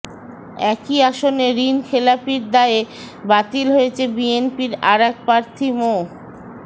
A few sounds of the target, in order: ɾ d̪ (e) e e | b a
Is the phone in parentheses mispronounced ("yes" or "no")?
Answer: yes